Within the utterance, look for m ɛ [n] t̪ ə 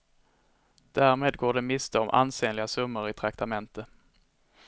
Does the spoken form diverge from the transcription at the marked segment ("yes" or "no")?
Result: no